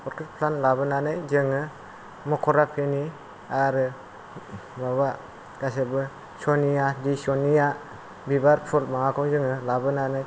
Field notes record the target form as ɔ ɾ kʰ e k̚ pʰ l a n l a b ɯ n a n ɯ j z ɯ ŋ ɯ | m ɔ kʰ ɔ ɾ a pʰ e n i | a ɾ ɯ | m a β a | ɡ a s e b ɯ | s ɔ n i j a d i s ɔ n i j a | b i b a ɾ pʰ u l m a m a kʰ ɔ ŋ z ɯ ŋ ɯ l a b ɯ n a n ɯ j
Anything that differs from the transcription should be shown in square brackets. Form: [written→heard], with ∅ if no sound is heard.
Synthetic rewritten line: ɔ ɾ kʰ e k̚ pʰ l a n l a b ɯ n a n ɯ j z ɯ ŋ ɯ | m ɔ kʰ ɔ ɾ a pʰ e n i | a ɾ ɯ | m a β a | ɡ a s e b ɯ | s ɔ n i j a d i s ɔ n i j a | b i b a ɾ pʰ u l m a [m→ŋ] a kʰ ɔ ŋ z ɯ ŋ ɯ l a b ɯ n a n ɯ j

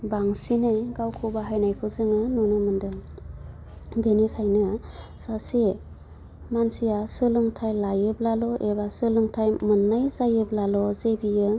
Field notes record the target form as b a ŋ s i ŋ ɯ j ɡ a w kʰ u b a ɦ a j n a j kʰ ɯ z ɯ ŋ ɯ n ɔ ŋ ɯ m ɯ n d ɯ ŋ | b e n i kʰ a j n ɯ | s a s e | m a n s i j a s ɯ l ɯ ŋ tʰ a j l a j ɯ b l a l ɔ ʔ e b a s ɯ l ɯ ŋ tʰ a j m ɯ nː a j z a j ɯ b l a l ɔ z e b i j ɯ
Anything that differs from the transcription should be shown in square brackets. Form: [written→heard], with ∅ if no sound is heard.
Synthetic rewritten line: b a ŋ s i [ŋ→n] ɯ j ɡ a w kʰ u b a ɦ a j n a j kʰ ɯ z ɯ ŋ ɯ n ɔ [ŋ→n] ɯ m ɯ n d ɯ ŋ | b e n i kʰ a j n ɯ | s a s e | m a n s i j a s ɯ l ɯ ŋ tʰ a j l a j ɯ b l a l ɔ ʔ e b a s ɯ l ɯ ŋ tʰ a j m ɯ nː a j z a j ɯ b l a l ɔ z e b i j ɯ

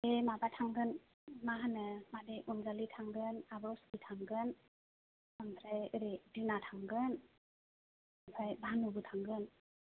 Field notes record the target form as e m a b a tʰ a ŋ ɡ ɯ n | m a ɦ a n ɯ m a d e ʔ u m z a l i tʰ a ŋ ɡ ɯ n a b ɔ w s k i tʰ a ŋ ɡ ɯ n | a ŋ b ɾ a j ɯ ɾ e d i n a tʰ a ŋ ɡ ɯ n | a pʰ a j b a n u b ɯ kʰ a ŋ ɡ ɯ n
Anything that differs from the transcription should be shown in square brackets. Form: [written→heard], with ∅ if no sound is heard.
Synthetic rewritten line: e m a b a tʰ a ŋ ɡ ɯ n | m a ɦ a n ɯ m a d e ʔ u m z a l i tʰ a ŋ ɡ ɯ n a b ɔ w s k i tʰ a ŋ ɡ ɯ n | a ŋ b ɾ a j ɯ ɾ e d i n a tʰ a ŋ ɡ ɯ n | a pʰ a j b a n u b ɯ [kʰ→tʰ] a ŋ ɡ ɯ n

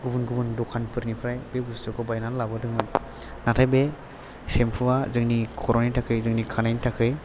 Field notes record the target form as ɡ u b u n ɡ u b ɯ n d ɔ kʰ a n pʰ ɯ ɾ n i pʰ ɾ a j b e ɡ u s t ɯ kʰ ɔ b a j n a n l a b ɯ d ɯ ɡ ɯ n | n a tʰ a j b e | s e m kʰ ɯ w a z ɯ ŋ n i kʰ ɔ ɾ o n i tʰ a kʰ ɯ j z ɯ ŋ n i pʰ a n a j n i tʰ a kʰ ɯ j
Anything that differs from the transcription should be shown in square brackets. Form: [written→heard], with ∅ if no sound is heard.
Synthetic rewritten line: ɡ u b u n ɡ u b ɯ n d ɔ kʰ a n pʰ ɯ ɾ n i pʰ ɾ a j b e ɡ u s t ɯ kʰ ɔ b a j n a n l a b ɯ d ɯ [ɡ→ŋ] ɯ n | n a tʰ a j b e | s e m [kʰ→pʰ] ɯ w a z ɯ ŋ n i kʰ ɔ ɾ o n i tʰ a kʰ ɯ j z ɯ ŋ n i [pʰ→kʰ] a n a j n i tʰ a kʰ ɯ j

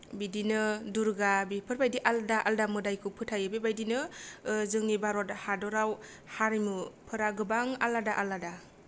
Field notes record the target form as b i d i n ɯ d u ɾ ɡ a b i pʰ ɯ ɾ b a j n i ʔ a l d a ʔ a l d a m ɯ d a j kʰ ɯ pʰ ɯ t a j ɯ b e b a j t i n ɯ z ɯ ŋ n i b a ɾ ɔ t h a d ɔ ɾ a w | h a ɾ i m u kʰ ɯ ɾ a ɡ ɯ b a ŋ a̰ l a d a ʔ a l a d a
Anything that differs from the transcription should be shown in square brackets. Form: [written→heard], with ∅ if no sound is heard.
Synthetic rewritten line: b i d i n ɯ d u ɾ ɡ a b i pʰ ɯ ɾ b a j [n→d] i ʔ a l d a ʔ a l d a m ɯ d a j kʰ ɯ pʰ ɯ [t→tʰ] a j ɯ b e b a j [t→d] i n ɯ z ɯ ŋ n i b a ɾ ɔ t h a d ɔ ɾ a w | h a ɾ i m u [kʰ→pʰ] ɯ ɾ a ɡ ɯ b a ŋ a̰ l a d a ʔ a l a d a

